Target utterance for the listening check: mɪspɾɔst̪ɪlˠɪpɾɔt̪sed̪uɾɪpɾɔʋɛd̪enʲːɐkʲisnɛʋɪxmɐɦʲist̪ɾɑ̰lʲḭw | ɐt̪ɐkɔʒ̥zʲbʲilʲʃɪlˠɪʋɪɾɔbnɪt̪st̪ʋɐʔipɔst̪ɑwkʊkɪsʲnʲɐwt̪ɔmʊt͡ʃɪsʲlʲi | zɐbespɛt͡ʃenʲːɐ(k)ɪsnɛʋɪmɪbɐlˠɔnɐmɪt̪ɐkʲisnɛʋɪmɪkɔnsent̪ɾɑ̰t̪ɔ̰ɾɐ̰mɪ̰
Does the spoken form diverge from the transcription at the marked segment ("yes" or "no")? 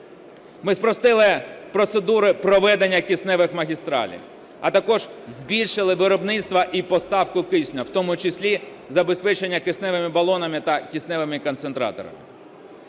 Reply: no